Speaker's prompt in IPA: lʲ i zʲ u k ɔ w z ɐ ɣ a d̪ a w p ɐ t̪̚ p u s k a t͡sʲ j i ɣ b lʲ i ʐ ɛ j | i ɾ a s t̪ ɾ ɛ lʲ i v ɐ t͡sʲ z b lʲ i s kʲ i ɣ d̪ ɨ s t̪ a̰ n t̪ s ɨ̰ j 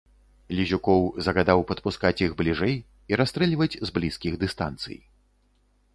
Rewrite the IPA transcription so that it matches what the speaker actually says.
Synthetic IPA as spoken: lʲ i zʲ u k ɔ w z ɐ ɣ a d̪ a w p ɐ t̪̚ p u s k a t͡sʲ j i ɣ b lʲ i ʐ ɛ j | i ɾ a s t̪ ɾ ɛ lʲ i v ɐ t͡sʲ z b lʲ i s kʲ i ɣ d̪ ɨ s t̪ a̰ n t̪ s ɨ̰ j